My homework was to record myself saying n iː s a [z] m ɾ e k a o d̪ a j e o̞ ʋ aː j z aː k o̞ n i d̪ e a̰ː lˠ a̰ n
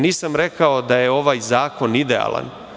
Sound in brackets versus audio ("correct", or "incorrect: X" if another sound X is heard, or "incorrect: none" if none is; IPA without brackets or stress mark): incorrect: none